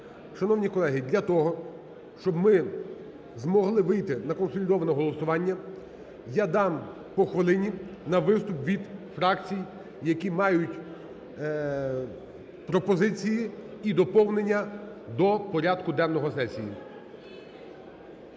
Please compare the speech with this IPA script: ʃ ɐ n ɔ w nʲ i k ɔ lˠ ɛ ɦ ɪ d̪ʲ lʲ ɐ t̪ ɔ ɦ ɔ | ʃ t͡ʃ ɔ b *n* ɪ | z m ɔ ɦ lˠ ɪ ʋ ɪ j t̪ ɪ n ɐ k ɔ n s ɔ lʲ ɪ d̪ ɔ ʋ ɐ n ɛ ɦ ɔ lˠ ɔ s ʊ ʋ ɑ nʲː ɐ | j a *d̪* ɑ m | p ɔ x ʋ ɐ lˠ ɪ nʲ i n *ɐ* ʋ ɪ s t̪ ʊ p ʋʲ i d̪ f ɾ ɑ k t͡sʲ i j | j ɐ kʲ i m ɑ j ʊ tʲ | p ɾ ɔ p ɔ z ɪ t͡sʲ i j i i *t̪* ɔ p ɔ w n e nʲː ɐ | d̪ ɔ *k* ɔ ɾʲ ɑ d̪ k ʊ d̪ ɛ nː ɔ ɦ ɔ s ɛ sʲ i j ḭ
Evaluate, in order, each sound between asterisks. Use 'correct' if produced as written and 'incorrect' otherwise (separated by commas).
incorrect, correct, correct, incorrect, incorrect